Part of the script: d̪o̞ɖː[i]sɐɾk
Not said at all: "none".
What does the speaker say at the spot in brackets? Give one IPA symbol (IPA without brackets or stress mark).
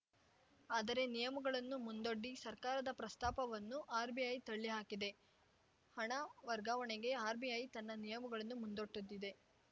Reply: i